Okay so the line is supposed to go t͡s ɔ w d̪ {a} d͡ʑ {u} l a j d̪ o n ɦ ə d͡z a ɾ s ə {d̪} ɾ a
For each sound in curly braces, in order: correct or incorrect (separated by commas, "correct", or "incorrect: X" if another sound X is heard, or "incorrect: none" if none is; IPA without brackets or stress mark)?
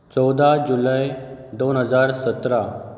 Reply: correct, correct, incorrect: t̪